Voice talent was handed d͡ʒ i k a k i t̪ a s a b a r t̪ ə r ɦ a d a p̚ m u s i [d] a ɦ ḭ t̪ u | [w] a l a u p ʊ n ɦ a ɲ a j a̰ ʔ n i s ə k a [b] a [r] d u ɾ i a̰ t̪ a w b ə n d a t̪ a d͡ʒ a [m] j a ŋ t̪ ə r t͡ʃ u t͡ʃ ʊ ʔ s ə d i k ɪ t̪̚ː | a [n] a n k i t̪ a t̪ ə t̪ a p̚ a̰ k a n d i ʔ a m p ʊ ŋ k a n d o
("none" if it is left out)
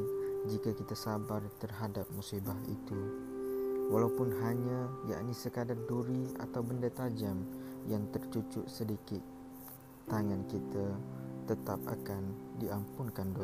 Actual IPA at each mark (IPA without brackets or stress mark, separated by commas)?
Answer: b, w, d, r, m, ŋ